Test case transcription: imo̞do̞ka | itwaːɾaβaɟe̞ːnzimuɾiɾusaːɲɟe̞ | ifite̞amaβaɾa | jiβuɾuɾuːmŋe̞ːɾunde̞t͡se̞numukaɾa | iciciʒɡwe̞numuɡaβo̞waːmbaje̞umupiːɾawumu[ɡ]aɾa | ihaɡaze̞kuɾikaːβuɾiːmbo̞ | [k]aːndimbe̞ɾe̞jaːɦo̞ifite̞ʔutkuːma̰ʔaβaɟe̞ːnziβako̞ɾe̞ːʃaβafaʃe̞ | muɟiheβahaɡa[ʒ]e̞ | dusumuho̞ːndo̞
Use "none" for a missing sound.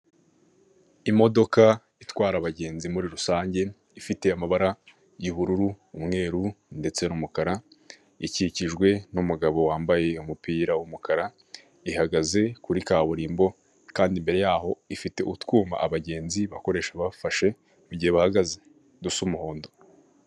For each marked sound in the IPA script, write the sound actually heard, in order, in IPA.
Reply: k, k, z

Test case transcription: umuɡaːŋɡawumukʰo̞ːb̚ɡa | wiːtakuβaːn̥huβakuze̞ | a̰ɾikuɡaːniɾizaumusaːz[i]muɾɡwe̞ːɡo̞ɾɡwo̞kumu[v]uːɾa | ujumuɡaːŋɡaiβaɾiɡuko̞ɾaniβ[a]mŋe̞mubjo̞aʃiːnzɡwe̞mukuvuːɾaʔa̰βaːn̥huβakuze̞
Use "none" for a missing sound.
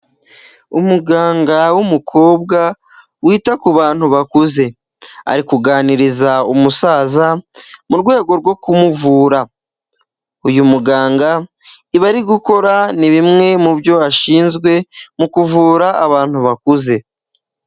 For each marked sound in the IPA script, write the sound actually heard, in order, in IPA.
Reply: a, v, i

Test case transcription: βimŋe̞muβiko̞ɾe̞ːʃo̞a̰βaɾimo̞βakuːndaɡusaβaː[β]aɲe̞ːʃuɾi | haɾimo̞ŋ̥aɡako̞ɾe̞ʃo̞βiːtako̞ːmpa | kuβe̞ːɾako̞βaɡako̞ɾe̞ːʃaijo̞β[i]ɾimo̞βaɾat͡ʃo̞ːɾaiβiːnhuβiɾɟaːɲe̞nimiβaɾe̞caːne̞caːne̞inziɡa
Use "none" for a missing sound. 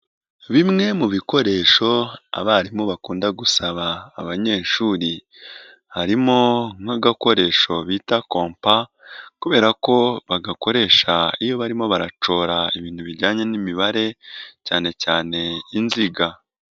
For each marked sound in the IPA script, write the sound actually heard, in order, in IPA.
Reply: β, a

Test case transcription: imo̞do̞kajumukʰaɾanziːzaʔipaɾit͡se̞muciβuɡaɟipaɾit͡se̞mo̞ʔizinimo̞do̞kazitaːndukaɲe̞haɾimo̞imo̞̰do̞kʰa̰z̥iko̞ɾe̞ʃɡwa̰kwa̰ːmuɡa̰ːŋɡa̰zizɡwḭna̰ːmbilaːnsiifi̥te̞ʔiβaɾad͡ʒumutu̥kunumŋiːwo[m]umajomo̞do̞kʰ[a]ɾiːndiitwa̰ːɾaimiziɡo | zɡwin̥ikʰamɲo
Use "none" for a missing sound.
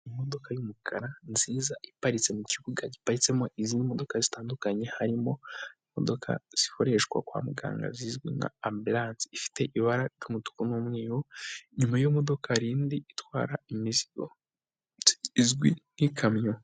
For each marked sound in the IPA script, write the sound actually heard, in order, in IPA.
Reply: ɲ, a

